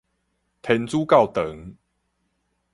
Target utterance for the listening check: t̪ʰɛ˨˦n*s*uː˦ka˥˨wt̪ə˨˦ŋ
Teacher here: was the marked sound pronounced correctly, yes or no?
no